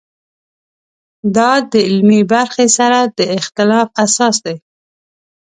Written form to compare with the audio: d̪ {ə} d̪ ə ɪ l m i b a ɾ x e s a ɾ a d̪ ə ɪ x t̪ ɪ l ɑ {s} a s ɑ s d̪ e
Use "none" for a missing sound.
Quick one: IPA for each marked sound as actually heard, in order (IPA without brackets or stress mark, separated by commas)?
ɑ, f